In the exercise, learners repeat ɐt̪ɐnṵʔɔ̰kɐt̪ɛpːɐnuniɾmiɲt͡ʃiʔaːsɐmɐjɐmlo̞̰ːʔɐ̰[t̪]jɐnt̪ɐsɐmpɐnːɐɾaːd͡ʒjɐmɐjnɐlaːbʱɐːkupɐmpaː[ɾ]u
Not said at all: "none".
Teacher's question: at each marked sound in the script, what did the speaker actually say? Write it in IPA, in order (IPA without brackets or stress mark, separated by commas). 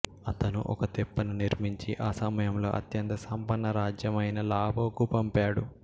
t̪, ɽ